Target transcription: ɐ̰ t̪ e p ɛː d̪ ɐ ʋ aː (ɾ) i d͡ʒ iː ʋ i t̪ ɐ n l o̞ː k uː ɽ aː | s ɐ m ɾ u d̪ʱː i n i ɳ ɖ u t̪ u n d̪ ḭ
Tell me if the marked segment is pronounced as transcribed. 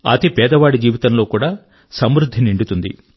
no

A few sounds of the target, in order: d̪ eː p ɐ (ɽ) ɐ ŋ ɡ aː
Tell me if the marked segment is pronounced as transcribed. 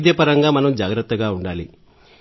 no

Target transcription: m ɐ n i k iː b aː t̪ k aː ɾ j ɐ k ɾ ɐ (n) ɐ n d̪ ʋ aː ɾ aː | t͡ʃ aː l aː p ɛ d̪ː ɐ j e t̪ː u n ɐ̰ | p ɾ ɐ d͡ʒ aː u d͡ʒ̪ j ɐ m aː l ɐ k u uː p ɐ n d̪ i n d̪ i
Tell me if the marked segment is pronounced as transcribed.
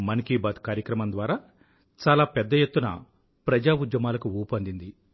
no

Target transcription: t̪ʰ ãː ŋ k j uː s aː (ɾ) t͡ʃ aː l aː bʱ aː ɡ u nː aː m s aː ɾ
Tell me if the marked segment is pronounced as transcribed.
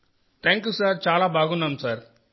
yes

